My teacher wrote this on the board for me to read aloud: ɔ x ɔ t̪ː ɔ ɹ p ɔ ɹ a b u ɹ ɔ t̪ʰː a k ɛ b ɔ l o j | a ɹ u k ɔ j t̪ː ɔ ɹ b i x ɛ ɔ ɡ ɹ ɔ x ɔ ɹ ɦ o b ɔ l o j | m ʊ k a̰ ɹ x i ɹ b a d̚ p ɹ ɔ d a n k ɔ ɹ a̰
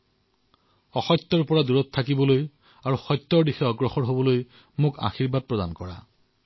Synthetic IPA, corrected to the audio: ɔ x ɔ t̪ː ɔ ɹ p ɔ ɹ a d u ɹ ɔ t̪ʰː a k i b ɔ l o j | a ɹ u x ɔ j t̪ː ɔ ɹ d i x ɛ ɔ ɡ ɹ ɔ x ɔ ɹ ɦ o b ɔ l o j | m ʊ k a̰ x i ɹ b a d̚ p ɹ ɔ d a n k ɔ ɹ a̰